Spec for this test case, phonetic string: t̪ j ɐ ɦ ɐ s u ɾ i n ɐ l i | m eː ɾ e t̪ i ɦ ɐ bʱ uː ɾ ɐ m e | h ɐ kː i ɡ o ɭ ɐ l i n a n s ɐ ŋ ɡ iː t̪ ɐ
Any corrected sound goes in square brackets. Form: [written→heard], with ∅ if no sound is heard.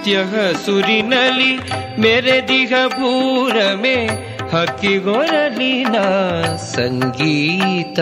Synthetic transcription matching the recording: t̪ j ɐ ɦ ɐ s u ɾ i n ɐ l i | m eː ɾ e [t̪→d̪] i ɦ ɐ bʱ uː ɾ ɐ m e | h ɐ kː i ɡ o [ɭ→ɾ] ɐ l i n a [n→∅] s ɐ ŋ ɡ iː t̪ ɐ